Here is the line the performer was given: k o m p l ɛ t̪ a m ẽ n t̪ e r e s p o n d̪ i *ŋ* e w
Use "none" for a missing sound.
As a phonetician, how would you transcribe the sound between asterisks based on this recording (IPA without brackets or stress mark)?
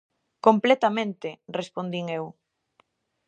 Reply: ŋ